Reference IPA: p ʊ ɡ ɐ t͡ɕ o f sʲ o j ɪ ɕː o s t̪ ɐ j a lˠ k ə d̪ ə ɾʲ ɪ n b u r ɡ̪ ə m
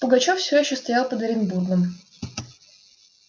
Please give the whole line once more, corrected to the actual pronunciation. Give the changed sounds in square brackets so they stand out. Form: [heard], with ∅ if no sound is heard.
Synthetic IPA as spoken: p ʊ ɡ ɐ t͡ɕ o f sʲ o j ɪ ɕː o s t̪ ɐ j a lˠ [p] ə d̪ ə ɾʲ ɪ n b u r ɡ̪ ə m